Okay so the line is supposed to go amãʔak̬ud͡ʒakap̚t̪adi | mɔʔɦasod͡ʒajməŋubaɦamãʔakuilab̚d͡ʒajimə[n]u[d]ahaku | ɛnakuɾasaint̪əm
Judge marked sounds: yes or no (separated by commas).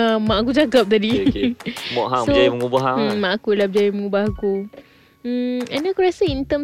no, no